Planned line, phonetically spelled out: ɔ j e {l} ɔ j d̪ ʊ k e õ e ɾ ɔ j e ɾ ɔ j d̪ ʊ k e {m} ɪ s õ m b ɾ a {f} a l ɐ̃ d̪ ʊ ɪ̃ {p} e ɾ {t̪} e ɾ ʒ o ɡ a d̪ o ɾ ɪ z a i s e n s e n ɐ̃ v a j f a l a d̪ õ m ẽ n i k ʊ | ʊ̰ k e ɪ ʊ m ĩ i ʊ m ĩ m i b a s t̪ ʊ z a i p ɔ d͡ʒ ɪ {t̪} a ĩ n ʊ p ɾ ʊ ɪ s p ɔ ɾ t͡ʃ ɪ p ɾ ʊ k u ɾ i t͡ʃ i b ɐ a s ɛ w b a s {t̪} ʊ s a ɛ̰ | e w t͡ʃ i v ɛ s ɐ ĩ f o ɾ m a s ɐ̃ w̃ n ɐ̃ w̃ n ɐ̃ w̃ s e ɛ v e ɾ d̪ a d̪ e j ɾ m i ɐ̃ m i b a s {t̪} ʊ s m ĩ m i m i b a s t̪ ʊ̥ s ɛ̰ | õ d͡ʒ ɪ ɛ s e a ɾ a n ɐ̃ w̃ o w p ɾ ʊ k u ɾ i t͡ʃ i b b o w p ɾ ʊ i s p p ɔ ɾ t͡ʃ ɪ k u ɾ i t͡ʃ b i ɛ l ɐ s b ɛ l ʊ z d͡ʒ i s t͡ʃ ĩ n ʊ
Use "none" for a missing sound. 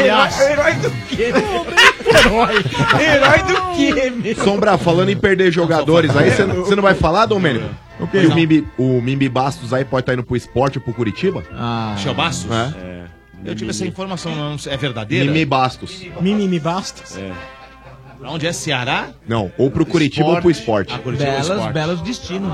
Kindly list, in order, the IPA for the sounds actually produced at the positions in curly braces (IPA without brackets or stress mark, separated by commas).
ɾ, m, f, p, d̪, t̪, t̪, t̪